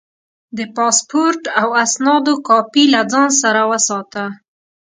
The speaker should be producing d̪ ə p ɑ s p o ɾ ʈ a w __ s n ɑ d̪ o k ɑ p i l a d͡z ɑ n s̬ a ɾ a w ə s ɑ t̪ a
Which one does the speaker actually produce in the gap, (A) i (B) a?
B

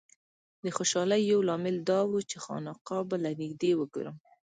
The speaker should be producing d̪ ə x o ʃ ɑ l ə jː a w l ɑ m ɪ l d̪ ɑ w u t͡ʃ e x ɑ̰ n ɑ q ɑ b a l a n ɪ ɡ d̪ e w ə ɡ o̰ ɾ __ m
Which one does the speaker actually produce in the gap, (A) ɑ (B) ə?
B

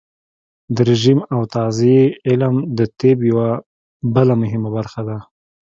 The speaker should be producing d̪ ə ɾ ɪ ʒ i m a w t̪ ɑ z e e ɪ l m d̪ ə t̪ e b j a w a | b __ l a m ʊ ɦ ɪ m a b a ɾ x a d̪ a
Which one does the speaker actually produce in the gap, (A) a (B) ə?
B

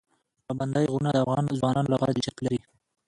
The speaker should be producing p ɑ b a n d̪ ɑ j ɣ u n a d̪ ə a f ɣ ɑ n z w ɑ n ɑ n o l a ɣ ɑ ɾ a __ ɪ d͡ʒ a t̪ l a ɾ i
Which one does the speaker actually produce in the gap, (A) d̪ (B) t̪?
A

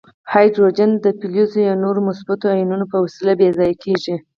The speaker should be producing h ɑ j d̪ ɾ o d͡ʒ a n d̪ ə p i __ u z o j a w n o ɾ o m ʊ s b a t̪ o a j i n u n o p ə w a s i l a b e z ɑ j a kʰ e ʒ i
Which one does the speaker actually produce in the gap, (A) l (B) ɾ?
A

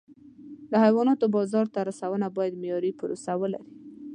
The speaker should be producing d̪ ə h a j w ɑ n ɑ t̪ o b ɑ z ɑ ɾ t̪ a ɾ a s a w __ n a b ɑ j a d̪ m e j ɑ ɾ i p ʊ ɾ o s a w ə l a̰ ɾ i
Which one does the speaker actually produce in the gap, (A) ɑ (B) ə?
B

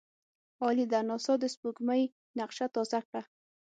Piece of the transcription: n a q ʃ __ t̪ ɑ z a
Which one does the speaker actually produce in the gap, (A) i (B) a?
B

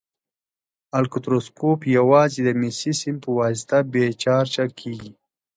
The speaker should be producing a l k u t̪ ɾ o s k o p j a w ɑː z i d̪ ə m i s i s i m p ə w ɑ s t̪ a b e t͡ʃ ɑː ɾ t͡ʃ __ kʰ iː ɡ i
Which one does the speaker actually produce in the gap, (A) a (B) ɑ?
A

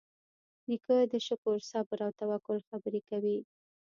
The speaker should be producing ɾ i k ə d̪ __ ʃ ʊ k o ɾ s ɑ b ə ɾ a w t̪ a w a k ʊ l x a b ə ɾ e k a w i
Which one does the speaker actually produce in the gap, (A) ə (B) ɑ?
A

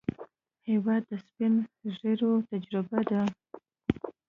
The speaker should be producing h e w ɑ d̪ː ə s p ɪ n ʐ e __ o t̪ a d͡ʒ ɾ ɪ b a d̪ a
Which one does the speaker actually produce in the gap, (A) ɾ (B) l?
A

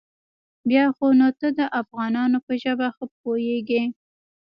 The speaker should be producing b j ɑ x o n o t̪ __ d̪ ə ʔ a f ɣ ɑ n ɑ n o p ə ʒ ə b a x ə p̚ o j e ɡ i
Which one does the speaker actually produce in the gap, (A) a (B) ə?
B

